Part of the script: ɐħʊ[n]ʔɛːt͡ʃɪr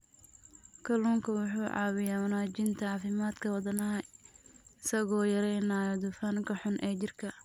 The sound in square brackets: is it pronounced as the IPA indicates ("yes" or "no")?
yes